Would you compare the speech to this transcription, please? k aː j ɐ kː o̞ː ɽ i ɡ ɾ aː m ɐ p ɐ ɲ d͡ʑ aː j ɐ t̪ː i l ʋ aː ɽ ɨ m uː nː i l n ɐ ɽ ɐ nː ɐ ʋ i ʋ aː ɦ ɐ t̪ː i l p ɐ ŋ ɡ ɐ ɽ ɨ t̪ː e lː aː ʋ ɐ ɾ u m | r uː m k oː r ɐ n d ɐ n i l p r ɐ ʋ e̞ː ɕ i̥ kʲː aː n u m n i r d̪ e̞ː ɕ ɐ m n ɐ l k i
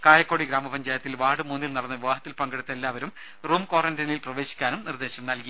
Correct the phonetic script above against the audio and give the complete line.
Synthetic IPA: k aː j ɐ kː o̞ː ɽ i ɡ ɾ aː m ɐ p ɐ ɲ d͡ʑ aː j ɐ t̪ː i l ʋ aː ɽ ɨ m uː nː i l n ɐ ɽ ɐ nː ɐ ʋ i ʋ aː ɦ ɐ t̪ː i l p ɐ ŋ ɡ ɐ ɽ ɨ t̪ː e lː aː ʋ ɐ ɾ u m | r uː m k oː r ɐ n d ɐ n i l p r ɐ ʋ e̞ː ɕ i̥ kʲː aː n u m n i r d̪ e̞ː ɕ ɐ m n ɐ l k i